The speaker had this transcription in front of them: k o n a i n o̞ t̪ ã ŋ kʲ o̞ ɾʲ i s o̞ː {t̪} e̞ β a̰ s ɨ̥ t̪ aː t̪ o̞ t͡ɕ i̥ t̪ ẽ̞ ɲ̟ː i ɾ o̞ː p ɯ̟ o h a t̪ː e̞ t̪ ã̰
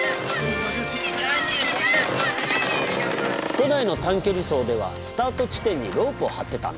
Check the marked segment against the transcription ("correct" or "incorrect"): incorrect